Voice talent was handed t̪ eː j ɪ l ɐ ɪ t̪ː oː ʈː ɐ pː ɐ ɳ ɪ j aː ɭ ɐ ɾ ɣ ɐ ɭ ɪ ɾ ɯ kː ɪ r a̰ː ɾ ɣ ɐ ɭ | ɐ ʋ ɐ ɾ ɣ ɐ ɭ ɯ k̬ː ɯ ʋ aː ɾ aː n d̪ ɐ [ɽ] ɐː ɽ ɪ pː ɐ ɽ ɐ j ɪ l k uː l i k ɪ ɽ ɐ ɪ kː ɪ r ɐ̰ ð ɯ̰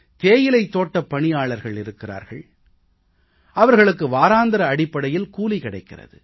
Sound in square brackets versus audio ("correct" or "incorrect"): incorrect